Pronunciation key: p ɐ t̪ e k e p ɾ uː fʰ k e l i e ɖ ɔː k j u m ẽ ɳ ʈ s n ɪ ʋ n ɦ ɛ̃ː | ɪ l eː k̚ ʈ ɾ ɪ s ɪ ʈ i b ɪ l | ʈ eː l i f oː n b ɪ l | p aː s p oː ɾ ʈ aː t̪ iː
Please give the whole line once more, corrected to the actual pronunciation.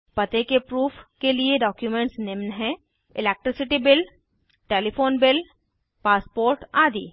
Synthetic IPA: p ɐ t̪ e k e p ɾ uː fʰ k e l i e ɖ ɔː k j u m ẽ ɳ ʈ s n ɪ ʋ n ɦ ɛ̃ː | ɪ l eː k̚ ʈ ɾ ɪ s ɪ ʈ i b ɪ l | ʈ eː l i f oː n b ɪ l | p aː s p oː ɾ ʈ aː d̪ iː

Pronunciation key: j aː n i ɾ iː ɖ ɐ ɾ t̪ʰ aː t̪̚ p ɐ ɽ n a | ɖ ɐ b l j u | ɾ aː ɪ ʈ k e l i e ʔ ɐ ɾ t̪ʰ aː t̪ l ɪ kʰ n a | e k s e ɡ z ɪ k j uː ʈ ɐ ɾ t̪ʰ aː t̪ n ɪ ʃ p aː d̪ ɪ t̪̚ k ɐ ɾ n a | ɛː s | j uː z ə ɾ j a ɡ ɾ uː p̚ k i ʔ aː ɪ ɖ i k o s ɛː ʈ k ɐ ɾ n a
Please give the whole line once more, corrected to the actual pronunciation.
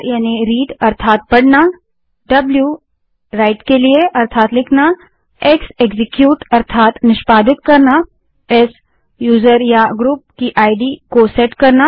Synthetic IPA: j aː n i ɾ iː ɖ ɐ ɾ t̪ʰ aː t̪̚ p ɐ ɽ n a | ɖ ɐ b l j u | ɾ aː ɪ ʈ k e l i e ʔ ɐ ɾ t̪ʰ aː t̪ l ɪ kʰ n a | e k s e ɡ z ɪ k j uː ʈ ɐ ɾ t̪ʰ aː t̪ n ɪ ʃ p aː d̪ ɪ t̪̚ k ɐ ɾ n a | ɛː s | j uː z ə ɾ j a ɡ ɾ uː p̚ k i ʔ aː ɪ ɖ i k o s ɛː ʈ k ɐ ɾ n a

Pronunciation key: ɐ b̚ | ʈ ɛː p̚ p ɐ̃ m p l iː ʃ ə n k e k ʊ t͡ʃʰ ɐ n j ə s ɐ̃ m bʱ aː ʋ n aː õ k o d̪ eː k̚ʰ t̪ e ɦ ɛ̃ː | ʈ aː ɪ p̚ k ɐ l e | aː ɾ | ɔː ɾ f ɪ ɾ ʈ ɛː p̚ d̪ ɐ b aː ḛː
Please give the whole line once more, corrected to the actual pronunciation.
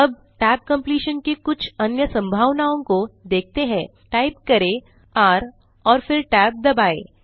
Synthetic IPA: ɐ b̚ | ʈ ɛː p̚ k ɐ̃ m p l iː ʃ ə n k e k ʊ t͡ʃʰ ɐ n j ə s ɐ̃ m bʱ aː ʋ n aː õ k o d̪ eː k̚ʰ t̪ e ɦ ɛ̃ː | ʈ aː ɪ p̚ k ɐ ɾ e | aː ɾ | ɔː ɾ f ɪ ɾ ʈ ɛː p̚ d̪ ɐ b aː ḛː

